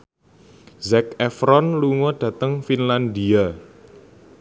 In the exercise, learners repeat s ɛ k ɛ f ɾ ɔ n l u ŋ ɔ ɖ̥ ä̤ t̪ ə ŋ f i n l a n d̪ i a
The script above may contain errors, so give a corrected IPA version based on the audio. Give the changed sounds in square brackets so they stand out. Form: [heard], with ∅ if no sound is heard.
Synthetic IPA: [z] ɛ k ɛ f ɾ ɔ n l u ŋ ɔ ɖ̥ ä̤ t̪ ə ŋ f i n l a n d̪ i a